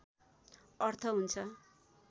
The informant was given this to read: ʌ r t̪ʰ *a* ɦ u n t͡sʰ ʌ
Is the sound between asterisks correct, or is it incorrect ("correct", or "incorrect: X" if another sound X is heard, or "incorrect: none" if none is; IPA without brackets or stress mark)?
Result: incorrect: ʌ